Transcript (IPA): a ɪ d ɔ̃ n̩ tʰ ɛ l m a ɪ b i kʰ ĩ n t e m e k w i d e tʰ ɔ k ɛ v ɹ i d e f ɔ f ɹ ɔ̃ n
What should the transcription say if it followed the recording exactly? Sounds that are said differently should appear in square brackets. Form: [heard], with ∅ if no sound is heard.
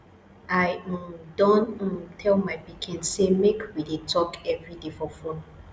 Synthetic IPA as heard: a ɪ d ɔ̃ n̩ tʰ ɛ l m a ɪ b i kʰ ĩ n [s] e m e k w i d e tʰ ɔ k ɛ v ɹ i d e f ɔ f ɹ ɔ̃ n